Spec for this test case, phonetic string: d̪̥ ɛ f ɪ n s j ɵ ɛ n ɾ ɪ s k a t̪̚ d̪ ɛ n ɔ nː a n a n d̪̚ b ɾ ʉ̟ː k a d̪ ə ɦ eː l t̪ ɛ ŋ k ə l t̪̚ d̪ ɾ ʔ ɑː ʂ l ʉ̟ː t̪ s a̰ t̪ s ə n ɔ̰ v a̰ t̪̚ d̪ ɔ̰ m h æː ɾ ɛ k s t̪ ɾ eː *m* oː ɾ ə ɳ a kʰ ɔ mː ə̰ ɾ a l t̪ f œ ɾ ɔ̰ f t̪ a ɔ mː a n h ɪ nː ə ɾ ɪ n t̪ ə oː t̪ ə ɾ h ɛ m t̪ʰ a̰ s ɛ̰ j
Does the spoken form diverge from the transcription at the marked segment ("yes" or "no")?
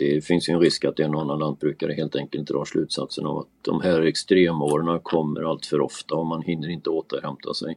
no